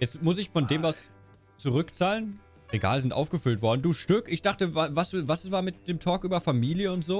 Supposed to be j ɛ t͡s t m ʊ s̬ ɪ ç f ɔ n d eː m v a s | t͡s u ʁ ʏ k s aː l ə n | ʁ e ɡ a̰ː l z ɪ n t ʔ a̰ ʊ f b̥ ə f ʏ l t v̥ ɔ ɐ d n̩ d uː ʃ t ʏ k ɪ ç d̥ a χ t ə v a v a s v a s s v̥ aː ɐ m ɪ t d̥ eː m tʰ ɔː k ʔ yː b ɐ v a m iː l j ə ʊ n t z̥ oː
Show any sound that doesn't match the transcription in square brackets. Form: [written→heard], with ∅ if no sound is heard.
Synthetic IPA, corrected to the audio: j ɛ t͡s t m ʊ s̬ ɪ ç f ɔ n d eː m v a s | t͡s u ʁ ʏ k [s→t͡s] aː l ə n | ʁ e ɡ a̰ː l z ɪ n t ʔ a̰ ʊ f [b̥→ɡ̥] ə f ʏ l t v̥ ɔ ɐ d n̩ d uː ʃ t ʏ k ɪ ç d̥ a χ t ə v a v a s v a s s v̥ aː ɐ m ɪ t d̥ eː m tʰ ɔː k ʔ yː b ɐ [v→f] a m iː l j ə ʊ n t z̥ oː